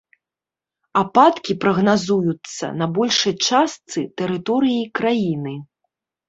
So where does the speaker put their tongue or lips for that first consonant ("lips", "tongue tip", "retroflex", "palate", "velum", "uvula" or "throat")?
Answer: lips